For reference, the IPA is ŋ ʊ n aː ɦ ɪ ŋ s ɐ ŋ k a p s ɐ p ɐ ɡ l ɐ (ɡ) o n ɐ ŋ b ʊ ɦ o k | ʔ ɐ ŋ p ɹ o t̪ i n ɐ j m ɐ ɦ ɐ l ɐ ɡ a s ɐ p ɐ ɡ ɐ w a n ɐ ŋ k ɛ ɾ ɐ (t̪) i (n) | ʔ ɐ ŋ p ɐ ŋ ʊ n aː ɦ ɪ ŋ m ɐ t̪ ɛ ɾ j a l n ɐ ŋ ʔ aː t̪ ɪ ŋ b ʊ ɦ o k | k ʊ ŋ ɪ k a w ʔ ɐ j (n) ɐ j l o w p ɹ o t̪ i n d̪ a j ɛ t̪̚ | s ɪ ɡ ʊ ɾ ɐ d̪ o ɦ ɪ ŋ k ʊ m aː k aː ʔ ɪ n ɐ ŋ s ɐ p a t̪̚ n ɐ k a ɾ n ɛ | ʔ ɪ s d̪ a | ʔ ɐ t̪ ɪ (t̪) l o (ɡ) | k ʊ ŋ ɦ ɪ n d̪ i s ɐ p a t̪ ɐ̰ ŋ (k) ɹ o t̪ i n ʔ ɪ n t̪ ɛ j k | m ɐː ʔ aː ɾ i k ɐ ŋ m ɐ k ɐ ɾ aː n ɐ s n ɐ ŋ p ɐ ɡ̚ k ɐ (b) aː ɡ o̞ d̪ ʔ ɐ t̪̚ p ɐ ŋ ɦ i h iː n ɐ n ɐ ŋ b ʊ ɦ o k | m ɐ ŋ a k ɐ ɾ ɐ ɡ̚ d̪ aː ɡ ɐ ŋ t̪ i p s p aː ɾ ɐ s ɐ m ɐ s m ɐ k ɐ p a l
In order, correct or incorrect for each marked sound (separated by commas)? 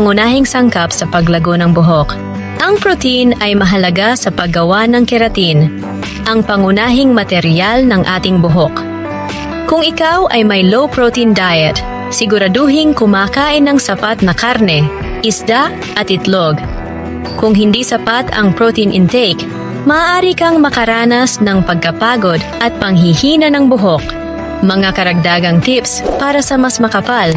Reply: correct, correct, correct, incorrect, correct, correct, incorrect, incorrect